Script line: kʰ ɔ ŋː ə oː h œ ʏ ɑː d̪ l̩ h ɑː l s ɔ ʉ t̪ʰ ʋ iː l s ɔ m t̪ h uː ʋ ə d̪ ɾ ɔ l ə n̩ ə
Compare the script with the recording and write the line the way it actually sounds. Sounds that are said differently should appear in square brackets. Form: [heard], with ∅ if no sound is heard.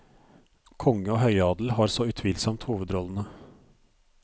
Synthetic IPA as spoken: kʰ ɔ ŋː ə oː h œ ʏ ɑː d̪ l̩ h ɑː [ɾ] s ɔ ʉ t̪ʰ ʋ iː l s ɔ m t̪ h uː ʋ ə d̪ ɾ ɔ l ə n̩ ə